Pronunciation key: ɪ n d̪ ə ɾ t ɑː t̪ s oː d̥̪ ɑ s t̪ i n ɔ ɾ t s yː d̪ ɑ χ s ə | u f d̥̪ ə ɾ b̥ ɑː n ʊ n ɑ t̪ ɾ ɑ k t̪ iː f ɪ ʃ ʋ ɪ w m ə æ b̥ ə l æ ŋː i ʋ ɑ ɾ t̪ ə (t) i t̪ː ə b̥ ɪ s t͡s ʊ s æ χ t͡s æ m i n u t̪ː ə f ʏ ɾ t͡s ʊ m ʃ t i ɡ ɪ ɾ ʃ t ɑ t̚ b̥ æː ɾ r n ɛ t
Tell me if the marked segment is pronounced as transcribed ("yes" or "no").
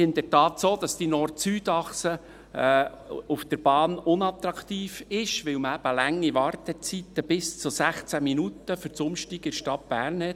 no